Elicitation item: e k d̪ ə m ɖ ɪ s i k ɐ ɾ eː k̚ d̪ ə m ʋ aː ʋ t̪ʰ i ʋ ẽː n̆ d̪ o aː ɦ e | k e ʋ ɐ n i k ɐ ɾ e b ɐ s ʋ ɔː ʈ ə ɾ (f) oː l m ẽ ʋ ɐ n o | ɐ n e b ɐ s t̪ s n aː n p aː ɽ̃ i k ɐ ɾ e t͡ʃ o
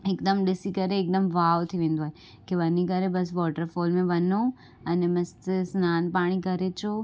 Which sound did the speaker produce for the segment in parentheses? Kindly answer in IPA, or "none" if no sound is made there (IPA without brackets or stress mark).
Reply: f